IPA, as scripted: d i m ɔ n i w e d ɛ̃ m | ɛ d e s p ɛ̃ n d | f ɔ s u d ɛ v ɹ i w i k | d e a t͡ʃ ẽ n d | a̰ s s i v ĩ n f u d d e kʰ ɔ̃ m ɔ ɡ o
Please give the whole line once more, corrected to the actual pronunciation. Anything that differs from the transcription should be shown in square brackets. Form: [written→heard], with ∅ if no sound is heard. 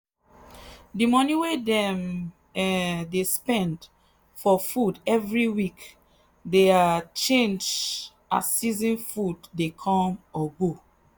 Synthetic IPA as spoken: d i m ɔ n i w e d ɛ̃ m | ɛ d e s p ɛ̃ n d | f ɔ [s→f] u d ɛ v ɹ i w i k | d e a t͡ʃ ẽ n [d→d͡ʒ] | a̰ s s i [v→z] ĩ n f u d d e kʰ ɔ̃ m ɔ ɡ o